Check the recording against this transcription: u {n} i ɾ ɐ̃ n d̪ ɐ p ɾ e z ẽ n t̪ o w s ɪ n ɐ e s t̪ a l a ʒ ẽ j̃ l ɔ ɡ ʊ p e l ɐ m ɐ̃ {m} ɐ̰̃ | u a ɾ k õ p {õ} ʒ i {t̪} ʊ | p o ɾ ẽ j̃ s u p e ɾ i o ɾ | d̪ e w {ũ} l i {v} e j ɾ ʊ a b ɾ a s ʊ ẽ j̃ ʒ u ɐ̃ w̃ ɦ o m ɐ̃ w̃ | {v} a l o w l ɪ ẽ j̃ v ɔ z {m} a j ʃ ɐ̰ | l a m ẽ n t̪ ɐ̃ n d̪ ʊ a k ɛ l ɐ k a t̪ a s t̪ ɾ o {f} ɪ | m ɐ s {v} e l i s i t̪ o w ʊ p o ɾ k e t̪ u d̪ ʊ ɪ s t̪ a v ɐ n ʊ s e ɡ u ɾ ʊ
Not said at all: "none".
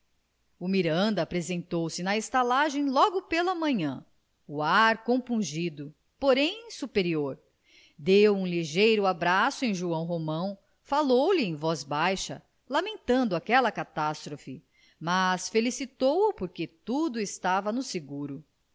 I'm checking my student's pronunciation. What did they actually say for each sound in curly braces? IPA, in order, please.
m, ɲ, ũ, d̪, ũ, ʒ, f, b, f, f

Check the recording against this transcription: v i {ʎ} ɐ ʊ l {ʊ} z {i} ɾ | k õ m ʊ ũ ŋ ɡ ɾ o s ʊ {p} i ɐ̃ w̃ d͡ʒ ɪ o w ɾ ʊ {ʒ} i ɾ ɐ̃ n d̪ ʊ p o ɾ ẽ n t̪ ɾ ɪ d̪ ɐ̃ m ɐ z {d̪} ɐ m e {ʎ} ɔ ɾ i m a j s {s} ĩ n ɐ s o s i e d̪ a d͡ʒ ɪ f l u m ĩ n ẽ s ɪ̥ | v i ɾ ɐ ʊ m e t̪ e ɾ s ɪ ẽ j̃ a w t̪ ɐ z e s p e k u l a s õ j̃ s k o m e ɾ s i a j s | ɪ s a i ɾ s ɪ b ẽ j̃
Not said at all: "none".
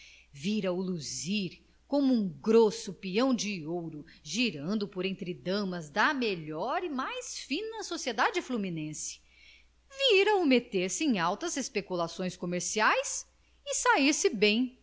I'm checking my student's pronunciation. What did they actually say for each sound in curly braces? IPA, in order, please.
ɾ, u, i, p, ʒ, d̪, ʎ, f

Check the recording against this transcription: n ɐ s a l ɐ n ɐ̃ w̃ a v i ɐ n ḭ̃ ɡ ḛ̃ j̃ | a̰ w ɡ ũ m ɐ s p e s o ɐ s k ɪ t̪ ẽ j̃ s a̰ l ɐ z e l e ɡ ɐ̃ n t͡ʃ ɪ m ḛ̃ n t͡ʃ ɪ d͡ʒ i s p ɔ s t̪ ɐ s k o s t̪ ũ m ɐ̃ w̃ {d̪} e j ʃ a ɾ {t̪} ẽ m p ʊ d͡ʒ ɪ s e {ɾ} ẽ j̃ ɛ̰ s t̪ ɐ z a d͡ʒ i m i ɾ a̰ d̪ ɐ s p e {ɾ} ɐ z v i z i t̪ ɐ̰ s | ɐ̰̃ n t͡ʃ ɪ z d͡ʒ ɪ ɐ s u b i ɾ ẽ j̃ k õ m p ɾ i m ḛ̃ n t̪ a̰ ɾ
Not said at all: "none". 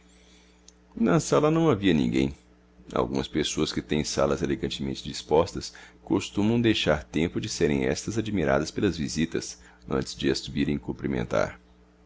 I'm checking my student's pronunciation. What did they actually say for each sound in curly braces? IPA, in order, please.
d̪, t̪, ɾ, l

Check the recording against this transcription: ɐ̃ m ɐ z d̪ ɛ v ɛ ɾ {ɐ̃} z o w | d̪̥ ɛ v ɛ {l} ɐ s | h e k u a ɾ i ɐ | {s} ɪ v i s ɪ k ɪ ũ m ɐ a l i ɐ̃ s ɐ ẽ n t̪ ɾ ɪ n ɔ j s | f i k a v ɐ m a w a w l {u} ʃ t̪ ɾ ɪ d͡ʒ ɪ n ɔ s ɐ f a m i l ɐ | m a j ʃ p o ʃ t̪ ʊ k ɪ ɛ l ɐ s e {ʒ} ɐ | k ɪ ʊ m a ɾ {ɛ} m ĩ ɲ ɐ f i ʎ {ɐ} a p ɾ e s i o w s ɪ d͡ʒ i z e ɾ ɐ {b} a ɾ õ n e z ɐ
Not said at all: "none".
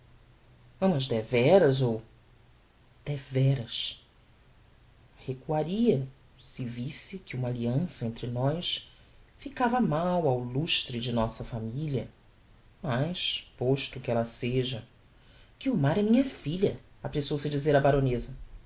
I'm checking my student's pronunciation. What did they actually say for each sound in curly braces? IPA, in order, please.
ɐ, ɾ, s, u, ʒ, ɛ, ɐ, b

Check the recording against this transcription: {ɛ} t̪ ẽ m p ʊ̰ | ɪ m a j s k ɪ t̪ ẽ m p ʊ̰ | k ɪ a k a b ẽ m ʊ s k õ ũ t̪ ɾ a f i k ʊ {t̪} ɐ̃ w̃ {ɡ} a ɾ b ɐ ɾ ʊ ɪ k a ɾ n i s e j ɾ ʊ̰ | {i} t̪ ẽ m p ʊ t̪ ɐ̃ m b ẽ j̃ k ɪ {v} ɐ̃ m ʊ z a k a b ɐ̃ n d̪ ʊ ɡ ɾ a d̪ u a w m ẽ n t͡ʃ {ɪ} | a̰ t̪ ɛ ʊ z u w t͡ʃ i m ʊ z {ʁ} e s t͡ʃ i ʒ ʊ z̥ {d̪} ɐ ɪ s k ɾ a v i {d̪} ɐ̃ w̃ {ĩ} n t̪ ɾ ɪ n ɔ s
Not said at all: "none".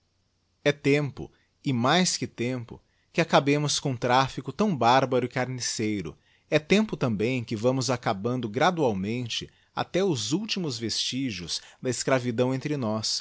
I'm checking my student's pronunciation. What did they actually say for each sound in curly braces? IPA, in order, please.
ɛ, t̪, b, ɛ, v, ɪ, v, d̪, d̪, ẽ

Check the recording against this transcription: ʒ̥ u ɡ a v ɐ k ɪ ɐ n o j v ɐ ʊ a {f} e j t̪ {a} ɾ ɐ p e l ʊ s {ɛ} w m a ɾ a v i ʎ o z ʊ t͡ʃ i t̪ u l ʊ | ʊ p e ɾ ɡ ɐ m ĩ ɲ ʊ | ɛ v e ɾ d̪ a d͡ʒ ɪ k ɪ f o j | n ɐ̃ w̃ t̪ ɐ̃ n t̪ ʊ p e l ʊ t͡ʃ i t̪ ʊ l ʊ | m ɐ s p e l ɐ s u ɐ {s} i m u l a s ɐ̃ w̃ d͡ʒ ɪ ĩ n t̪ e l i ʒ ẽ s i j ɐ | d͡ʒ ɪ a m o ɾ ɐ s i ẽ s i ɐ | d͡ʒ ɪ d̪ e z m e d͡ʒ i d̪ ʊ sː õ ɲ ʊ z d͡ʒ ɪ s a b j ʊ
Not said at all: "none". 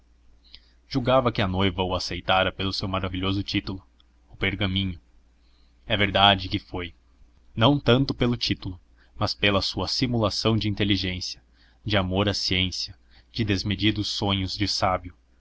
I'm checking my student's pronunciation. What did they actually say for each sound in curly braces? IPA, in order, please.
s, a, e, s

